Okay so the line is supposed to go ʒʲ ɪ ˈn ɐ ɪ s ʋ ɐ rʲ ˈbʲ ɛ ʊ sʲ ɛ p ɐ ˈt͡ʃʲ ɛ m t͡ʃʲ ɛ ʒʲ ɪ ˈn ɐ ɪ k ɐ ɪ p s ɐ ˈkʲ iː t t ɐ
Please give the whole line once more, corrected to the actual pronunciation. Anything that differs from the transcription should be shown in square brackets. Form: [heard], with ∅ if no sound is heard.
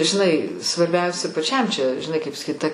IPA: ʒʲ ɪ ˈn ɐ ɪ s ʋ ɐ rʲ ˈbʲ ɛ ʊ sʲ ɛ p ɐ ˈt͡ʃʲ ɛ m t͡ʃʲ ɛ ʒʲ ɪ ˈn ɐ ɪ k ɐ ɪ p s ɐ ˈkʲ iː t t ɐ